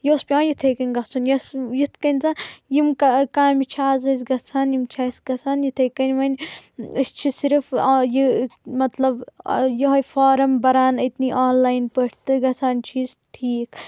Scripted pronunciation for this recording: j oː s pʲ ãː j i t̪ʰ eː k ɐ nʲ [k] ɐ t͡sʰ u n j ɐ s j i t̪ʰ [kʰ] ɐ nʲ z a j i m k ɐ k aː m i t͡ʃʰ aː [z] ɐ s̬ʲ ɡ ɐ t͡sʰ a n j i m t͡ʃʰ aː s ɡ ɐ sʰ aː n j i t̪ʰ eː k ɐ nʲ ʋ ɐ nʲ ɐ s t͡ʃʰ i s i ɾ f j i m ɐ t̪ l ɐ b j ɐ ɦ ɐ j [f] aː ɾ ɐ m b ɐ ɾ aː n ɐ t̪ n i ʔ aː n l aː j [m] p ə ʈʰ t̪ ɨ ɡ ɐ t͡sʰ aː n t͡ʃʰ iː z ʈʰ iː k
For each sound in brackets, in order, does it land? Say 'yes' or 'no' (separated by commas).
no, no, yes, yes, no